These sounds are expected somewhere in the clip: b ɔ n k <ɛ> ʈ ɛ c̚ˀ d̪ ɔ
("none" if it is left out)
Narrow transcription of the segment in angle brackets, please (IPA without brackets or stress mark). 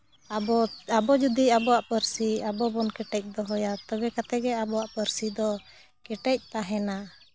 ɛ